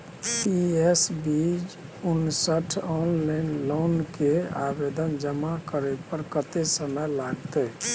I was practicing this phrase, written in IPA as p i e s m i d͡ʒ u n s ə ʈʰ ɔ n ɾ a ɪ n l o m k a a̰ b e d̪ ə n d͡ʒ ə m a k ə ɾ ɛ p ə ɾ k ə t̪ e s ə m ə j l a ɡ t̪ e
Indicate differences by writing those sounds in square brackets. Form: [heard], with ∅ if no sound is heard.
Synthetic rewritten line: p i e s [b] i d͡ʒ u n s ə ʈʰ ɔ n [l] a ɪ n l o [n] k [e] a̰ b e d̪ ə n d͡ʒ ə m a k ə ɾ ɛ p ə ɾ k ə t̪ e s ə m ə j l a ɡ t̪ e